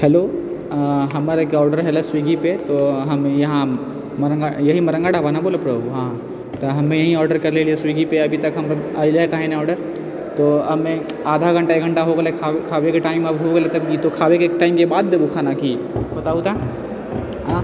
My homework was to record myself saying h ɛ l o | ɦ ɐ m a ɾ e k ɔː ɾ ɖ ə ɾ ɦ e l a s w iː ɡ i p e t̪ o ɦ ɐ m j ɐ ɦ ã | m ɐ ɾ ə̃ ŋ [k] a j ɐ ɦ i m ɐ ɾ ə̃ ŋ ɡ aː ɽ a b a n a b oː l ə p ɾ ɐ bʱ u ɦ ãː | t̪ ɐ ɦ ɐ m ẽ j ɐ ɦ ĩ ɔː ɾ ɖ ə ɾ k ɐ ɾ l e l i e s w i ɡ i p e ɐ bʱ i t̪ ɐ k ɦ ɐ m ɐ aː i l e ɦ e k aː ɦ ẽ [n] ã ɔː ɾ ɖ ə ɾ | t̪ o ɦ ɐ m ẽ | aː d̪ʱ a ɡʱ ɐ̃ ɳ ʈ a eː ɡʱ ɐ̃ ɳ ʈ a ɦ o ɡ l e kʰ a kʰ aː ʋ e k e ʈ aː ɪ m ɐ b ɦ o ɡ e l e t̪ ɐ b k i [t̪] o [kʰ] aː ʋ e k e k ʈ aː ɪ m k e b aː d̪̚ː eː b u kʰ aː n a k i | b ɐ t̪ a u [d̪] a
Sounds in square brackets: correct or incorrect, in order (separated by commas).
incorrect, correct, correct, correct, incorrect